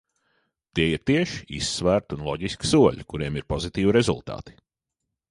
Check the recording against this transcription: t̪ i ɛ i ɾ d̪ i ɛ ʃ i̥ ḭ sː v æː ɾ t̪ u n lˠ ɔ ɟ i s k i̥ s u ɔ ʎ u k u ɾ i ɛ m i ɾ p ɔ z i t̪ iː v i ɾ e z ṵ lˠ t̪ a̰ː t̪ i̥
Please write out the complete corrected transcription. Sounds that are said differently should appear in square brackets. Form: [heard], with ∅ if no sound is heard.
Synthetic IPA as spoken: t̪ i ɛ i ɾ [t̪] i ɛ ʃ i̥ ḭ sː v æː ɾ t̪ u n lˠ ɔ ɟ i s k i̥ s u ɔ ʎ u k u ɾ i ɛ m i ɾ p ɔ z i t̪ iː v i ɾ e z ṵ lˠ t̪ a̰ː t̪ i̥